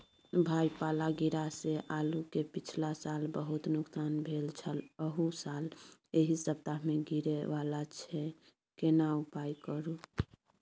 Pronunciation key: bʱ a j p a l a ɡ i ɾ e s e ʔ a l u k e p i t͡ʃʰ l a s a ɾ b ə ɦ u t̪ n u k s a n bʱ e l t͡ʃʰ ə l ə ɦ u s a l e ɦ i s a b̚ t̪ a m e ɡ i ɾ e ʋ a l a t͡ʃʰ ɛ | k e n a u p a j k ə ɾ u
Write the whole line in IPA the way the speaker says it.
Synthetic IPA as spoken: bʱ a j p a l a ɡ i ɾ a s e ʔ a l u k e p i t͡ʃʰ l a s a l b ə ɦ u t̪ n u k s a n bʱ e l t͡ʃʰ ə l ə ɦ u s a l e ɦ i s ə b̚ t̪ a m e ɡ i ɾ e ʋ a l a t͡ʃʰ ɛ | k e n a u p a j k ə ɾ u